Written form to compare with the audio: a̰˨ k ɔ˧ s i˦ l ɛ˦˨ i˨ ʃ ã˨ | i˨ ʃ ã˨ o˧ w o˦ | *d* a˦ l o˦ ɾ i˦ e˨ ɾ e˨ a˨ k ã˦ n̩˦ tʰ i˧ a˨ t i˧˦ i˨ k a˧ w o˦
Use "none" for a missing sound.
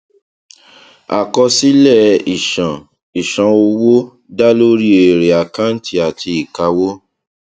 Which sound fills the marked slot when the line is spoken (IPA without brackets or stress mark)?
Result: d